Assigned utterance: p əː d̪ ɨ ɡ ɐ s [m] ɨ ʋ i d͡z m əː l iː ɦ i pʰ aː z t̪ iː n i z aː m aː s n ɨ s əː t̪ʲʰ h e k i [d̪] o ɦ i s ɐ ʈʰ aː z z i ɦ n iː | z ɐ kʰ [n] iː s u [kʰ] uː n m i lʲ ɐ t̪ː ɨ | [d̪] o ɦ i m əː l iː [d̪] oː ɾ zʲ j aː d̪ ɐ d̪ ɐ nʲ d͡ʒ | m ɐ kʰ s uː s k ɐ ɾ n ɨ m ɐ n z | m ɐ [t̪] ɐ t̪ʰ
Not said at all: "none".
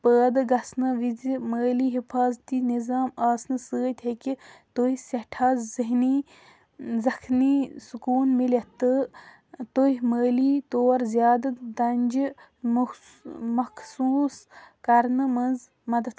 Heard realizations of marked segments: n, t̪, n, k, t̪, t̪, d̪

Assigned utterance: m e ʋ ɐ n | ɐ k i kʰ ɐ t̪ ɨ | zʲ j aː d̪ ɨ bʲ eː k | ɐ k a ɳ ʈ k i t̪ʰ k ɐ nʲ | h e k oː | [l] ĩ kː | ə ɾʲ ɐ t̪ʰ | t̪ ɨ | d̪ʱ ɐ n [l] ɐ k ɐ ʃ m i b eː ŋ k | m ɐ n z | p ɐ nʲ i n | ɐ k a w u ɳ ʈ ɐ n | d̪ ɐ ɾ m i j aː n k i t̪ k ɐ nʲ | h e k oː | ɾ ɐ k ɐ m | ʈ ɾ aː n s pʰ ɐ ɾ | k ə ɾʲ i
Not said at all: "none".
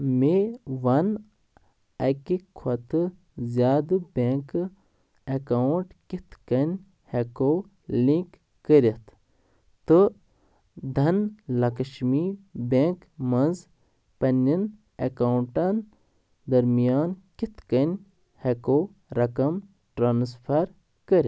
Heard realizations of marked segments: l, l

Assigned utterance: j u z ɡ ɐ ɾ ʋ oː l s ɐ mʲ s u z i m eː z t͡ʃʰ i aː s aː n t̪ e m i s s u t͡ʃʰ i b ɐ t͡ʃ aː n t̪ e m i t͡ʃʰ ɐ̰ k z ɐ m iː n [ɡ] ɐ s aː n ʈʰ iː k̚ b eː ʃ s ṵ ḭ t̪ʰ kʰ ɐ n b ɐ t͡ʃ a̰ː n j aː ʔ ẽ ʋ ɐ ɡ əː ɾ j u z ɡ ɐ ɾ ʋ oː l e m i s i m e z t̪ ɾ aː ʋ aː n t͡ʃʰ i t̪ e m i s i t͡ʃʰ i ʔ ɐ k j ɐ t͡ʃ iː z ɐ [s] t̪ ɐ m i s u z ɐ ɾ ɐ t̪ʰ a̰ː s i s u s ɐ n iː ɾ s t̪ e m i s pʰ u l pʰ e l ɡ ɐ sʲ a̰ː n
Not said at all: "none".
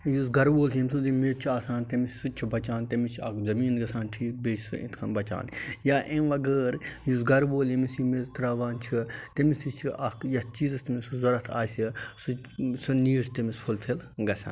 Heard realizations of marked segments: ɡ, s

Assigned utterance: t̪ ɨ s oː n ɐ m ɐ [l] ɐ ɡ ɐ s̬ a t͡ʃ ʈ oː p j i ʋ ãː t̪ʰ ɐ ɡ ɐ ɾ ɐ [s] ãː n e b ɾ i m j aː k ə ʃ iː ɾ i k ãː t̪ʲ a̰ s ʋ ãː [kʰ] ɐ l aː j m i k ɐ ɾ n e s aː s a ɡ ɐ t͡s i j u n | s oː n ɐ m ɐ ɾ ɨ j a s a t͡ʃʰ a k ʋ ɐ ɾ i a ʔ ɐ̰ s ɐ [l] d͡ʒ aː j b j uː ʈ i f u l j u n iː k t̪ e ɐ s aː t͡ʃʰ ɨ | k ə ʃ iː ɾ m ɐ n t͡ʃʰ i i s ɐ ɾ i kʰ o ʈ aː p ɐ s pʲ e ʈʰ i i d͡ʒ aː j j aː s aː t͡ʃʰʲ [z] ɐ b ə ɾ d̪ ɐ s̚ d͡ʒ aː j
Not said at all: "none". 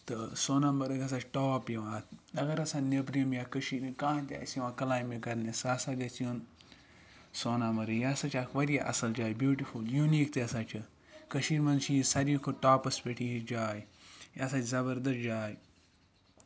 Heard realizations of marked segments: ɾ, s, k, l, z

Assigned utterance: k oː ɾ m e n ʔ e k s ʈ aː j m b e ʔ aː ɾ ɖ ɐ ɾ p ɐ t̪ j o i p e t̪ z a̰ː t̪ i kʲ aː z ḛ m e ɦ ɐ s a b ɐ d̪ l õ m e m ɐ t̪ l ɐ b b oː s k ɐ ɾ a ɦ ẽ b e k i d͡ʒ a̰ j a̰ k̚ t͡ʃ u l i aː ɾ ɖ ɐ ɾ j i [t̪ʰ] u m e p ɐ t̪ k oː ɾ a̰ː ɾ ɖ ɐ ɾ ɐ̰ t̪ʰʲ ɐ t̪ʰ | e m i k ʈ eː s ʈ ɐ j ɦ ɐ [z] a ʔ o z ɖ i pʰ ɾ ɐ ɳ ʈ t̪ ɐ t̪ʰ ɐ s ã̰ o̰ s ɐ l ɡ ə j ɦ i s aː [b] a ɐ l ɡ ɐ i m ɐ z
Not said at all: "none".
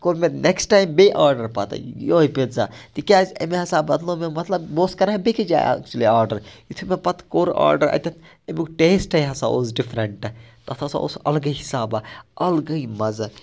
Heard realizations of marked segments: t̪ʰ, s, b

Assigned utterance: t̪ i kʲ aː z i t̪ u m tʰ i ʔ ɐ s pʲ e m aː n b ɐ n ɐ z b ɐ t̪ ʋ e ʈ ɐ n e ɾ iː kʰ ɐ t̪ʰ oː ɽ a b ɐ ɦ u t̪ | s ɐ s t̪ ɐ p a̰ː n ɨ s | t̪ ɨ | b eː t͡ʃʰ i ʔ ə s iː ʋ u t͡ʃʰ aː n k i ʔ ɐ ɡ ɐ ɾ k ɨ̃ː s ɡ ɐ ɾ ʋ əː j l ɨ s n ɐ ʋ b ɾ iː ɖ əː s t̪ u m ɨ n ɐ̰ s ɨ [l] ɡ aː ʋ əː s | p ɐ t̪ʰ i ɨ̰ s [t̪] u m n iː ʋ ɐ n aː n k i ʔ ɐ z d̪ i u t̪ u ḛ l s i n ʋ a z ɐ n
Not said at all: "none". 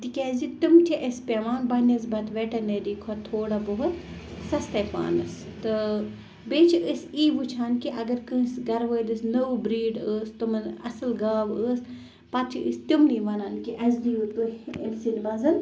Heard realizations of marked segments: l, t̪

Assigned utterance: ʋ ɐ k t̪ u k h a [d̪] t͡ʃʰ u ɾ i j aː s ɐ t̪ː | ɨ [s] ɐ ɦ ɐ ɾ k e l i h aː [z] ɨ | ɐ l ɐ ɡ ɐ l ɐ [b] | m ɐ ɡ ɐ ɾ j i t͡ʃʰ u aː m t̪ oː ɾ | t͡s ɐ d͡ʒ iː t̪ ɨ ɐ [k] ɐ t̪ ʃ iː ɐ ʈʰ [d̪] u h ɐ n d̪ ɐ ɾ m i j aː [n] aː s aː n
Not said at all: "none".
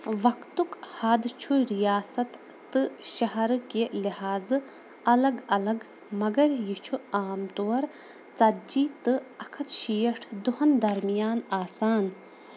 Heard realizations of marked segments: d̪, ʃ, z, ɡ, kʰ, d̪, n

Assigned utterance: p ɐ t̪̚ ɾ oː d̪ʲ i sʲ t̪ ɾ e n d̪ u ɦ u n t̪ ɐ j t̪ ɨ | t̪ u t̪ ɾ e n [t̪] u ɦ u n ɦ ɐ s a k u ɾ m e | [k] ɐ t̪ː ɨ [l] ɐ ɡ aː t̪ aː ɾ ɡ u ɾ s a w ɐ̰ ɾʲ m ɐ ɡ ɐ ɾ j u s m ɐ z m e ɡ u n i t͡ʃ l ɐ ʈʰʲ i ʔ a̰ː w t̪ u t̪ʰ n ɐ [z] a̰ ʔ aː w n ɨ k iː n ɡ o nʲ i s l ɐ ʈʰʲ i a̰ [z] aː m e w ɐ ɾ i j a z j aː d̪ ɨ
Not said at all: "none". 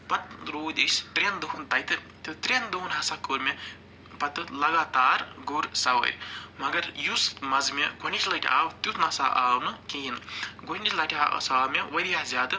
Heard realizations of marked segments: d̪, p, l, s, s

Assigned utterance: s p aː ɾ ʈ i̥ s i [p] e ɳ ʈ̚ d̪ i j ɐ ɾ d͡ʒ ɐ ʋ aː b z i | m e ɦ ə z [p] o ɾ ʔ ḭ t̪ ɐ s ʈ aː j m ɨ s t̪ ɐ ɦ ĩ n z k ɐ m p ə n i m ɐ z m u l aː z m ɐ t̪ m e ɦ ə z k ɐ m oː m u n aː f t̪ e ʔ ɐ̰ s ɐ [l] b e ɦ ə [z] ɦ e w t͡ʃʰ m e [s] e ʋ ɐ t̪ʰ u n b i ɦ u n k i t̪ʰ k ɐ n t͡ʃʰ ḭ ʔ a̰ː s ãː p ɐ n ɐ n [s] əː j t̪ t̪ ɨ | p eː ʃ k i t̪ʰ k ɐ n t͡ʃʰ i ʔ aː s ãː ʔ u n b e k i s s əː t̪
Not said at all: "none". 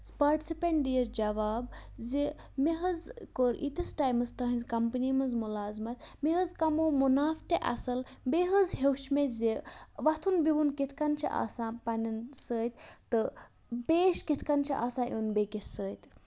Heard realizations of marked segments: p, k, l, z, z, s

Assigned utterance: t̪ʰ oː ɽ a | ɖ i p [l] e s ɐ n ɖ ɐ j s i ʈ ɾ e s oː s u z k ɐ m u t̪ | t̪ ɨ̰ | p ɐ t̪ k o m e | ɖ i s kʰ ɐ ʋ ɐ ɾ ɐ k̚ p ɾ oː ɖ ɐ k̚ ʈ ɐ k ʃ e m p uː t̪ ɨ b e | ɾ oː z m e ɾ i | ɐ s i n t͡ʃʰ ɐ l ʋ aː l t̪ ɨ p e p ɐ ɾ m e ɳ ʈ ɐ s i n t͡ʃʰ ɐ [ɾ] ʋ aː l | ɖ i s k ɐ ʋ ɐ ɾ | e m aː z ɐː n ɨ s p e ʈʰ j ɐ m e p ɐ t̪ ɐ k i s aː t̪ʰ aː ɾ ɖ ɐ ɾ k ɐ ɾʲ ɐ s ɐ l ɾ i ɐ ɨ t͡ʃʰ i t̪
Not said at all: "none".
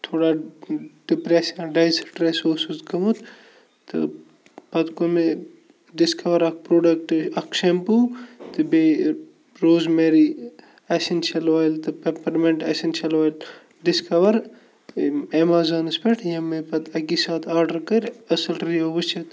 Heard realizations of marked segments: ɾ, l

